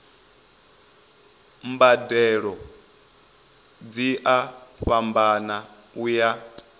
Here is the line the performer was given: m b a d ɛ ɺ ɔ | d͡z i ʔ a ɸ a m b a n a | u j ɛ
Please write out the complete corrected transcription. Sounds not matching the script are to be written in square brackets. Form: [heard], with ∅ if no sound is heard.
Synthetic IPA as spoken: m b a d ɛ ɺ ɔ | d͡z i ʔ a ɸ a m b a n a | u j [a]